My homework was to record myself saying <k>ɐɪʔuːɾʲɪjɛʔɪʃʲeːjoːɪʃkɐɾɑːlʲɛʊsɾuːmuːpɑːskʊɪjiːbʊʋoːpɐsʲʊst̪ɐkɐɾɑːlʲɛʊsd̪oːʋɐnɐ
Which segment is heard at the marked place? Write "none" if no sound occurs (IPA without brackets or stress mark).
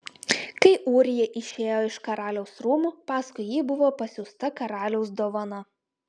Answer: k